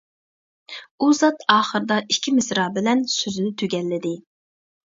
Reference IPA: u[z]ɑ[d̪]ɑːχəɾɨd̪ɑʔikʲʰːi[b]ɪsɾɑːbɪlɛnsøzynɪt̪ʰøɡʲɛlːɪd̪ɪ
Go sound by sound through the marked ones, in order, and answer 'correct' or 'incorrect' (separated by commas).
correct, incorrect, incorrect